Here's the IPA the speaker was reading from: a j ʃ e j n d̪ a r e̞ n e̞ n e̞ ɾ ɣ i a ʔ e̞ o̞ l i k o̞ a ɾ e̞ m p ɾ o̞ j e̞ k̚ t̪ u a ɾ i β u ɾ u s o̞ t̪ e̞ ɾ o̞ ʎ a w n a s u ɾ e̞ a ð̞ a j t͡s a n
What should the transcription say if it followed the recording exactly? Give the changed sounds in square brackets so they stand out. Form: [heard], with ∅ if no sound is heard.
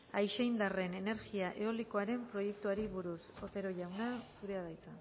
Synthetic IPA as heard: a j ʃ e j n d̪ a r e̞ n e̞ n e̞ ɾ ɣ i a ʔ e̞ o̞ l i k o̞ a ɾ e̞ m p ɾ o̞ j e̞ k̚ t̪ u a ɾ i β u ɾ u s o̞ t̪ e̞ ɾ o̞ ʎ a w n a s u ɾ e̞ a ð̞ a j t͡s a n

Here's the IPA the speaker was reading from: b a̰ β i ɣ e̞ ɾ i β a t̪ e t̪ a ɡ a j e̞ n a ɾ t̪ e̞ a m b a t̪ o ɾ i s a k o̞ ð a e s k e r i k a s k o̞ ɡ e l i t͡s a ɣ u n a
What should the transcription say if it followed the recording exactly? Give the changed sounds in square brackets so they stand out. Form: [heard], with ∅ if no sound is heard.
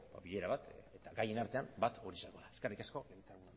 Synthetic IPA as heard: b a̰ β i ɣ e̞ ɾ [a] β a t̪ e t̪ a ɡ a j e̞ n a ɾ t̪ e̞ a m b a t̪ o ɾ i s a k o̞ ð a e s k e r i k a s k o̞ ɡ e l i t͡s a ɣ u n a

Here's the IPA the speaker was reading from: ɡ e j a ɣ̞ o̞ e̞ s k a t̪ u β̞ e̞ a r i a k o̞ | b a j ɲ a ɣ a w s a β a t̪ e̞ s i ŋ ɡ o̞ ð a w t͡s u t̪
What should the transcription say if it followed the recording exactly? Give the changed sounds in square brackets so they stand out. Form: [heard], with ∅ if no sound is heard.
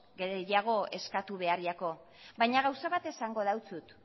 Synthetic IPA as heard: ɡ e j a ɣ̞ o̞ e̞ s k a t̪ u β̞ e̞ a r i a k o̞ | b a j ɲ a ɣ a w s a β a t̪ e̞ s [a] ŋ ɡ o̞ ð a w t͡s u t̪

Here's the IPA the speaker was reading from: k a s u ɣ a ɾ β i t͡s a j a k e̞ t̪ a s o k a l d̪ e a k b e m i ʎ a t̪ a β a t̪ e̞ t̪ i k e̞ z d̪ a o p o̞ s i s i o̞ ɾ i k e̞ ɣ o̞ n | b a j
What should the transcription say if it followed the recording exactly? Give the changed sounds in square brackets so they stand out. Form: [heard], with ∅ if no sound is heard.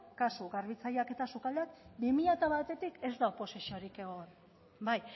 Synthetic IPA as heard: k a s u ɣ a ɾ β i t͡s a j a k e̞ t̪ a s [u] k a l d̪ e a k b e m i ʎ a t̪ a β a t̪ e̞ t̪ i k e̞ z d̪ a o p o̞ s i s i o̞ ɾ i k e̞ ɣ o̞ n | b a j

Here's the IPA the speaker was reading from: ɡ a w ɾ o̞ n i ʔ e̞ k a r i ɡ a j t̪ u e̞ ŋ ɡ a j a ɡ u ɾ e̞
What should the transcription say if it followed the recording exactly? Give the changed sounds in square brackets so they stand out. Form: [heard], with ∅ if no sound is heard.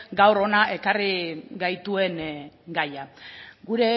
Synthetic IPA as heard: ɡ a w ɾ o̞ n [a] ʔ e̞ k a r i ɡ a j t̪ u e̞ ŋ ɡ a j a ɡ u ɾ e̞

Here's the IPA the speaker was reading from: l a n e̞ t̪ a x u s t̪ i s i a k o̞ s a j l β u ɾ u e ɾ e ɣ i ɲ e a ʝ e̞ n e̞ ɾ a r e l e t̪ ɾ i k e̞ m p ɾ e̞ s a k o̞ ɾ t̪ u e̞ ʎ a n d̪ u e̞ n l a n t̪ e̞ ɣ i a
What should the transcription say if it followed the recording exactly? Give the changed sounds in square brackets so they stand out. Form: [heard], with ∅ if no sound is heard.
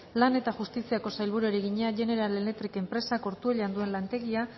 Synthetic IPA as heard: l a n e̞ t̪ a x u s t̪ i s i a k o̞ s a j l β u ɾ u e ɾ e ɣ i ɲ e a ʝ e̞ n e̞ ɾ a [l] e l e t̪ ɾ i k e̞ m p ɾ e̞ s a k o̞ ɾ t̪ u e̞ ʎ a n d̪ u e̞ n l a n t̪ e̞ ɣ i a

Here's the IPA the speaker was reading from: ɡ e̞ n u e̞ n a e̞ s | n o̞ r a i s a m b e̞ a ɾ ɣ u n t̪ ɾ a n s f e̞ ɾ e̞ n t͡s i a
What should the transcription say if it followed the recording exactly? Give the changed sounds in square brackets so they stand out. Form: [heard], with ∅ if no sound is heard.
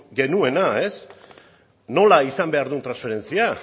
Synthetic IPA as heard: ɡ e̞ n u e̞ n a e̞ s | n o̞ [l] a i s a m b e̞ a ɾ [ð] u n t̪ ɾ a n s f e̞ ɾ e̞ n t͡s i a

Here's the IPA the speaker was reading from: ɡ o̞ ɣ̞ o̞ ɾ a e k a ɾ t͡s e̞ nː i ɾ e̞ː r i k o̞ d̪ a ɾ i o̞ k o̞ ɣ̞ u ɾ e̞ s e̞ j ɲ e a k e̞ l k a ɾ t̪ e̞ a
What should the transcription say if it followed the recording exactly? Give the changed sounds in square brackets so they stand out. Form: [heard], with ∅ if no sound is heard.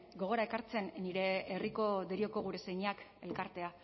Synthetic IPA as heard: ɡ o̞ ɣ̞ o̞ ɾ a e k a ɾ t͡s e̞ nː i ɾ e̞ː r i k o̞ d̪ [e] ɾ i o̞ k o̞ ɣ̞ u ɾ e̞ s e̞ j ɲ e a k e̞ l k a ɾ t̪ e̞ a

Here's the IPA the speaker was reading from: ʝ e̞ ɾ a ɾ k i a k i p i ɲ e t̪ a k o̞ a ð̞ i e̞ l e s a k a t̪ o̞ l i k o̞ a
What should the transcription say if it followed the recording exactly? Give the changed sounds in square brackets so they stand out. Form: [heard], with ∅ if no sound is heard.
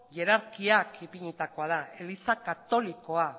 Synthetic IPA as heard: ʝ e̞ ɾ a ɾ k i a k i p i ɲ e t̪ a k o̞ a ð̞ [a] e̞ l [i] s a k a t̪ o̞ l i k o̞ a

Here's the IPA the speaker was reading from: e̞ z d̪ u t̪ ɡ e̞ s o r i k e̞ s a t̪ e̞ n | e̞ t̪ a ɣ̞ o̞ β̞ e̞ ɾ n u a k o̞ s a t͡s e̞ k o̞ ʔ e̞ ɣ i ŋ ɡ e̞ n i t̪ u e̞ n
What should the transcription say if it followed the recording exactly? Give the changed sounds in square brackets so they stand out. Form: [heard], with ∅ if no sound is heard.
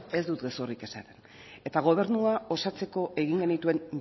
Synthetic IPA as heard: e̞ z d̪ u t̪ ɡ e̞ s o r i k e̞ s a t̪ e̞ n | e̞ t̪ a ɣ̞ o̞ β̞ e̞ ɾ n u a [∅] o̞ s a t͡s e̞ k o̞ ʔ e̞ ɣ i ŋ ɡ e̞ n i t̪ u e̞ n

